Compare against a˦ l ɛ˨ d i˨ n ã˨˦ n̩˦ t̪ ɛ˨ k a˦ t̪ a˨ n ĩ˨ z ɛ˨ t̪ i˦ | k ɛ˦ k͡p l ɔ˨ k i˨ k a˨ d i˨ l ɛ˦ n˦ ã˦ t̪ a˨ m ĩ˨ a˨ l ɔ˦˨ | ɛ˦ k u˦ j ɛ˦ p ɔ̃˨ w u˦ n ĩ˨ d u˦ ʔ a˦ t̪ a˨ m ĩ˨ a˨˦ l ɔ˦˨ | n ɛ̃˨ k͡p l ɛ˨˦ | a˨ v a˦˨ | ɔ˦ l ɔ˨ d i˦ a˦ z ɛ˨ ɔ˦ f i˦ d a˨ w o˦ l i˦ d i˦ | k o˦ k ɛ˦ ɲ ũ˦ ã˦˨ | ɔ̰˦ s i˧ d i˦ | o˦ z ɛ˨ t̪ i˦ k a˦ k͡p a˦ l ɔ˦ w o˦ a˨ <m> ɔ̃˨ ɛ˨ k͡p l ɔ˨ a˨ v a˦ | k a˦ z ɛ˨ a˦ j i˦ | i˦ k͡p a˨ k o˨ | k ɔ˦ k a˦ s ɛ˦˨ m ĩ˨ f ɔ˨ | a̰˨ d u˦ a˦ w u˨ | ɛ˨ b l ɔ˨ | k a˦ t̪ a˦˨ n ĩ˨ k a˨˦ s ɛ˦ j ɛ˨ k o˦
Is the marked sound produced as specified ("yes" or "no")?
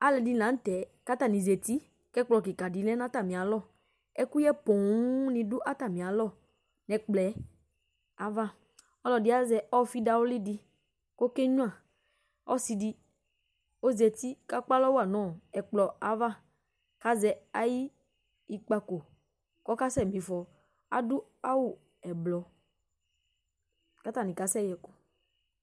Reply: no